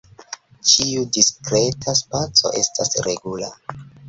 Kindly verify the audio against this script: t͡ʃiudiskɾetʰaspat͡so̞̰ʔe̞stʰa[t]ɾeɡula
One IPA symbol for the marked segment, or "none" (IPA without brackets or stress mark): s